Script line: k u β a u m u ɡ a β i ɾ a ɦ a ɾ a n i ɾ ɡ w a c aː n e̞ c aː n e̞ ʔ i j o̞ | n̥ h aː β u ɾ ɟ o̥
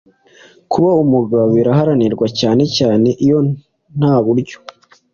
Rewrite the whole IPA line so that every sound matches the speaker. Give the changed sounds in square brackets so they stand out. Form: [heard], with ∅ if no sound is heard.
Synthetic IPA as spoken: k u β a u m u ɡ a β i ɾ a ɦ a ɾ a n i ɾ ɡ w a c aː n e̞ c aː n e̞ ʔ i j o̞ | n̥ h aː β u ɾ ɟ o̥